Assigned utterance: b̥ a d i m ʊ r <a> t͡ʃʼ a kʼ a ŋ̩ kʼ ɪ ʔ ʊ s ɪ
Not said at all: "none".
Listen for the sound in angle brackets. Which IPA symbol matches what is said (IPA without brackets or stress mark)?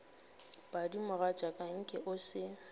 a